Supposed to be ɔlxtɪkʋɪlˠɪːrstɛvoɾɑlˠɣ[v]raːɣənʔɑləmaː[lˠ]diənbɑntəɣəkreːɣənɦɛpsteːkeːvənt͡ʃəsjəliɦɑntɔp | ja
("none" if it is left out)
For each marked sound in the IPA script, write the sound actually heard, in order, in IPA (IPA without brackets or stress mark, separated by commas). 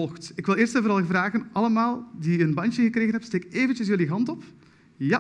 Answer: v, lˠ